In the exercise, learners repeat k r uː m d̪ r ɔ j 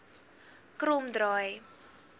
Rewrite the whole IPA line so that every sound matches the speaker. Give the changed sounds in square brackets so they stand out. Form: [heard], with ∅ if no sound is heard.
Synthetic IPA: k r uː m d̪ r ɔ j